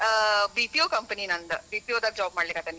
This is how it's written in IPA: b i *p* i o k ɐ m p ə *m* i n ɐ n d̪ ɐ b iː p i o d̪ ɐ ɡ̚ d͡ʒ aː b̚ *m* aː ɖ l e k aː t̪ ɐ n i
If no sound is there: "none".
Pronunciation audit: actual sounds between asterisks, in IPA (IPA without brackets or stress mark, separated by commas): p, n, m